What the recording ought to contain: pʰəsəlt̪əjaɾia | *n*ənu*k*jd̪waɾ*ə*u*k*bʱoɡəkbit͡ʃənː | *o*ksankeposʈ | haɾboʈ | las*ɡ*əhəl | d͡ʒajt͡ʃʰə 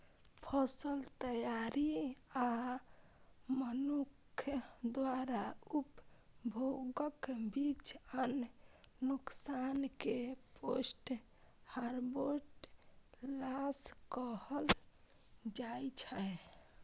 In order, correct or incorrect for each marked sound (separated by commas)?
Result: incorrect, incorrect, incorrect, incorrect, incorrect, incorrect